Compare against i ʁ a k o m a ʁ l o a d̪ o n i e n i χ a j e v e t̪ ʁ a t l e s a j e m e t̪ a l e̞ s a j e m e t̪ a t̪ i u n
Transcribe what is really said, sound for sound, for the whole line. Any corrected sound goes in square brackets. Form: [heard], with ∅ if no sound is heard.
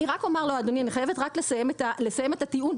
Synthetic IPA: i ʁ a k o m a ʁ l o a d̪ o n i [a] n i χ a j e v e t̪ ʁ a [k] l e s a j e m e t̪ a l e̞ s a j e m e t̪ a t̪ i u n